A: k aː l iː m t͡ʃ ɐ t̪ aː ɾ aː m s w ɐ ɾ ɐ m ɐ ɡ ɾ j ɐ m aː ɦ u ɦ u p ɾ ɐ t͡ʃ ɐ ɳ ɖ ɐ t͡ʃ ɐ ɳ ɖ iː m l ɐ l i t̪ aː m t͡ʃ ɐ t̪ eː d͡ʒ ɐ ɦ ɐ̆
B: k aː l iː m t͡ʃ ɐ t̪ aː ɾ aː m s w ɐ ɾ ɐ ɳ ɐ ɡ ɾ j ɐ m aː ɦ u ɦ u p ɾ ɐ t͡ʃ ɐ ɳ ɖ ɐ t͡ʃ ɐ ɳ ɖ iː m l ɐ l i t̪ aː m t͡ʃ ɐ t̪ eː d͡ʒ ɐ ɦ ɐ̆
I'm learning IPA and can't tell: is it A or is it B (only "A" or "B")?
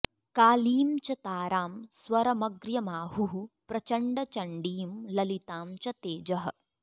A